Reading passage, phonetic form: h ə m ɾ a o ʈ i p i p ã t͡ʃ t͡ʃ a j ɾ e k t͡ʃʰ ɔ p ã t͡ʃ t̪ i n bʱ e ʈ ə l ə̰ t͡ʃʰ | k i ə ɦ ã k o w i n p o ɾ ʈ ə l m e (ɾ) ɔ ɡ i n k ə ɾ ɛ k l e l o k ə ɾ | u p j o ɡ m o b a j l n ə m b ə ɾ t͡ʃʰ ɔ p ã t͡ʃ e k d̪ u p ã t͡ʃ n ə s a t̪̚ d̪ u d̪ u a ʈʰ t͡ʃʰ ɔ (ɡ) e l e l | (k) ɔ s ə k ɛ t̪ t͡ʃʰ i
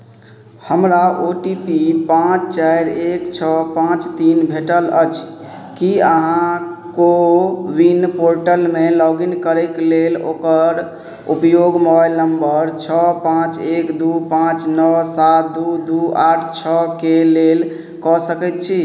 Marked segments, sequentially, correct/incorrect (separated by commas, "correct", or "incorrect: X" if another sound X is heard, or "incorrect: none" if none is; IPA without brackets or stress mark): incorrect: l, incorrect: k, correct